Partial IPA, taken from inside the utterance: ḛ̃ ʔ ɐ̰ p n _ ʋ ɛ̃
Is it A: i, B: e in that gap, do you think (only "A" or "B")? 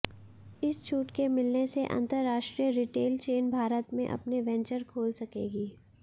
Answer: B